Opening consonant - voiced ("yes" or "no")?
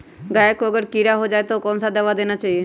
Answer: yes